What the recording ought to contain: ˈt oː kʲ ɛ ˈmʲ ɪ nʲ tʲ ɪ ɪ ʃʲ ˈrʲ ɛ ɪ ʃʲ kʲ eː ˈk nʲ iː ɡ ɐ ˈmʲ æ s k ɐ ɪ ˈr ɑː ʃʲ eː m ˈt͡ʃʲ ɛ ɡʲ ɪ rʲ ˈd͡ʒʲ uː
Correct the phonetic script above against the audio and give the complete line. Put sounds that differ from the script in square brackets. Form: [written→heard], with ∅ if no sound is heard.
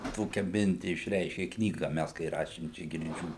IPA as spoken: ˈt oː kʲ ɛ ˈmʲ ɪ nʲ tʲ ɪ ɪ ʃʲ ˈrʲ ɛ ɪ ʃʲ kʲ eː ˈk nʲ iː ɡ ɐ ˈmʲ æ s k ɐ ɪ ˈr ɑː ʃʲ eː m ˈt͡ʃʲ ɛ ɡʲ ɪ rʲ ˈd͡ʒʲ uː